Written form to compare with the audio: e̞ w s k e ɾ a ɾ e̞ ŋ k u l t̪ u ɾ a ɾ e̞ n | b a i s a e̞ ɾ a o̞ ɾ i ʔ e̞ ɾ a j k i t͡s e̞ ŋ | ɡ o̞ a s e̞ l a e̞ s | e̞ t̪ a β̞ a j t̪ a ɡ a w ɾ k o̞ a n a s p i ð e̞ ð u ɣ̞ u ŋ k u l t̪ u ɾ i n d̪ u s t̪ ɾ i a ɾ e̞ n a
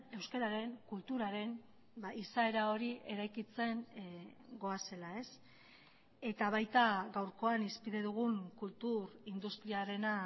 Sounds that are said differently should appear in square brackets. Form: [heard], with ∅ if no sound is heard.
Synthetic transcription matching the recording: e̞ w s k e ɾ a ɾ e̞ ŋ k u l t̪ u ɾ a ɾ e̞ n | b a i s a e̞ ɾ a o̞ ɾ i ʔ e̞ ɾ a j k i t͡s e̞ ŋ | ɡ o̞ a s e̞ l a e̞ s | e̞ t̪ a β̞ a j t̪ a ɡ a w ɾ k o̞ a n [i] s p i ð e̞ ð u ɣ̞ u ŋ k u l t̪ u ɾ i n d̪ u s t̪ ɾ i a ɾ e̞ n a